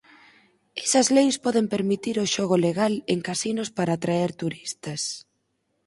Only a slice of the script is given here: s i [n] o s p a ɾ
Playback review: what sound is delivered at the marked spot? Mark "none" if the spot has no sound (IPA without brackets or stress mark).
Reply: n